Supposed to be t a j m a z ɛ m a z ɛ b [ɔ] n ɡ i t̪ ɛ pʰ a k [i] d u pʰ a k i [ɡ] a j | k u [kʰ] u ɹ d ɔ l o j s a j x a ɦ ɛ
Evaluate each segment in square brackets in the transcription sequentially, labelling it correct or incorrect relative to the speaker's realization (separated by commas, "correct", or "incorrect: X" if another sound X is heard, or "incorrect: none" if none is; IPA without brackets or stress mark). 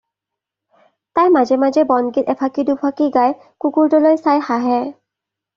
correct, correct, correct, incorrect: k